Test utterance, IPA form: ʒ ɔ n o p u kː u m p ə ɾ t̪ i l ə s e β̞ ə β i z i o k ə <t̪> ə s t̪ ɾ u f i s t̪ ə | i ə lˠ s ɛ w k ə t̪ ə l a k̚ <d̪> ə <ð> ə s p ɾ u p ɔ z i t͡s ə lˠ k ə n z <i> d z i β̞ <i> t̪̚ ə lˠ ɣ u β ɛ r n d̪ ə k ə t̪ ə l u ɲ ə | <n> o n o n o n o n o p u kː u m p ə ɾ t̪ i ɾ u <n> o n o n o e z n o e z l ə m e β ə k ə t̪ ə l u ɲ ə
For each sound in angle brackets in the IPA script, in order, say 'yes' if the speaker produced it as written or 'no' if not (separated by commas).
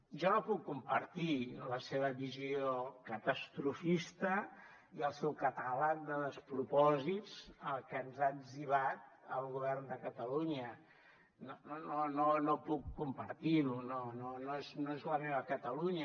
yes, yes, yes, no, no, yes, yes